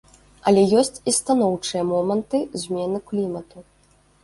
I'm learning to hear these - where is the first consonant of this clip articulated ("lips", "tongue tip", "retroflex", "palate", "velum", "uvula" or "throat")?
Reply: tongue tip